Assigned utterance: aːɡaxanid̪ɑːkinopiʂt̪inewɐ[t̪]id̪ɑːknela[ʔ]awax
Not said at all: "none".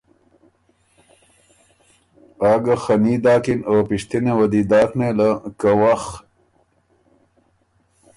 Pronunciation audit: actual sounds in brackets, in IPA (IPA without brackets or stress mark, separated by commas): d̪, k